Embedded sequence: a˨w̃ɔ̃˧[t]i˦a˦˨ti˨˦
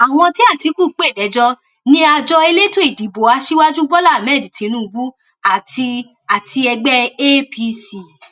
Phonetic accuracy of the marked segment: correct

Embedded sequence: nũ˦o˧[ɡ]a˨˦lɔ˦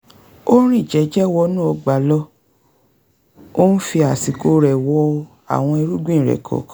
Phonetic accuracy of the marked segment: incorrect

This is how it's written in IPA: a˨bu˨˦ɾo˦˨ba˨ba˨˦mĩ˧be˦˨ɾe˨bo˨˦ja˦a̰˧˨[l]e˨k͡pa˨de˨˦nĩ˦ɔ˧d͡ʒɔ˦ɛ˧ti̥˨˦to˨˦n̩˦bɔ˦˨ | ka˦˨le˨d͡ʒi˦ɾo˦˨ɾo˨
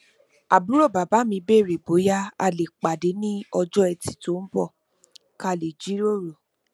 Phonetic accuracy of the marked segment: correct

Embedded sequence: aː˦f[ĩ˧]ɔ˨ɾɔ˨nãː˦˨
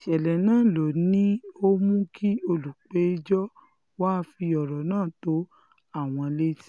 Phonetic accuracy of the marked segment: incorrect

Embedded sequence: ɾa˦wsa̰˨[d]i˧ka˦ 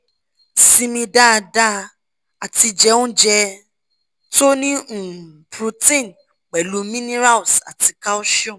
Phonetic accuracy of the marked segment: incorrect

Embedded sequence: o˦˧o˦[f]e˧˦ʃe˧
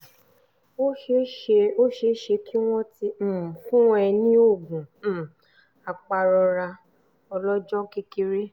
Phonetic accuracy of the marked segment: incorrect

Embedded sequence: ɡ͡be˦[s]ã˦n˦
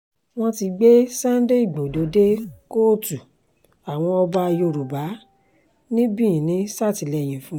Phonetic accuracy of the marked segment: correct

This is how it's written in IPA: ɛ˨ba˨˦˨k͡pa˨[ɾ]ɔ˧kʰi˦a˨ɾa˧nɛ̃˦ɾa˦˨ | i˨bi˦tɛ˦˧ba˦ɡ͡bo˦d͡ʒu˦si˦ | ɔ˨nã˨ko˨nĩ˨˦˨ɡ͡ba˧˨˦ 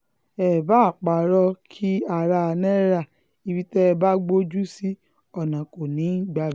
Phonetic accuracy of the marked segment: correct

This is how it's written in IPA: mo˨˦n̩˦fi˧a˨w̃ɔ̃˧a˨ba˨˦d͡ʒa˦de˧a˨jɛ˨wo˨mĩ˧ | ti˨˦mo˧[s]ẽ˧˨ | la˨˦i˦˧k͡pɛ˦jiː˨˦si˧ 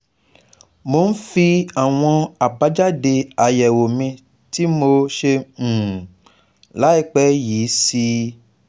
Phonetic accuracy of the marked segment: incorrect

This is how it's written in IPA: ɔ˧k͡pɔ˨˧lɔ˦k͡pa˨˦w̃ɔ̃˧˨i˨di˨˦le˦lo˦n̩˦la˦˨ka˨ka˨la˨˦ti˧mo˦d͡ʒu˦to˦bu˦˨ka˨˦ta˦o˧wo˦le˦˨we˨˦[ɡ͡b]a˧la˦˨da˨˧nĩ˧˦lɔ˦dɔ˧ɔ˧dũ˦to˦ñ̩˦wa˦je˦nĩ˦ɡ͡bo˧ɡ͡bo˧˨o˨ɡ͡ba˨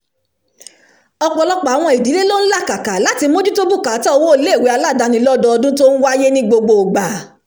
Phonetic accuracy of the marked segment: incorrect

